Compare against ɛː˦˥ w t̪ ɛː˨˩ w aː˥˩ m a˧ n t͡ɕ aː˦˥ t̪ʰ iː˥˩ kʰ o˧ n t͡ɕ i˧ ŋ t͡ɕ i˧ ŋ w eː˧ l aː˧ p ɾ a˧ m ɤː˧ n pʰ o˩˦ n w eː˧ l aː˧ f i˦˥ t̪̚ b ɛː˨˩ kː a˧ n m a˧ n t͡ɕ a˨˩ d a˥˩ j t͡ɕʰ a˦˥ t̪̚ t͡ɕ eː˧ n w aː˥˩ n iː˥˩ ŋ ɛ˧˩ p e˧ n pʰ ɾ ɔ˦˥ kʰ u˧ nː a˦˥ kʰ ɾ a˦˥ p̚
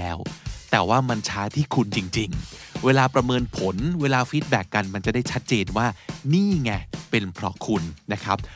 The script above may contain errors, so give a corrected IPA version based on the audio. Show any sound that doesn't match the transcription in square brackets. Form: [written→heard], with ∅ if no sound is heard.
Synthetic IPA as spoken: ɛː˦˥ w t̪ ɛː˨˩ w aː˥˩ m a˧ n [t͡ɕ→t͡ɕʰ] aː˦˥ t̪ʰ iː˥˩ kʰ [o˧→u˧] n t͡ɕ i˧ ŋ t͡ɕ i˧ ŋ w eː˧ l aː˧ p ɾ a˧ m ɤː˧ n pʰ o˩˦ n w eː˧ l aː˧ f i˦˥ t̪̚ b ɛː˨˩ kː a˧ n m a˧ n t͡ɕ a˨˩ d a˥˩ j t͡ɕʰ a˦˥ t̪̚ t͡ɕ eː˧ n w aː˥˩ n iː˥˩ ŋ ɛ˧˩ p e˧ n pʰ ɾ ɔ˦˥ kʰ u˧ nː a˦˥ kʰ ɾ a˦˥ p̚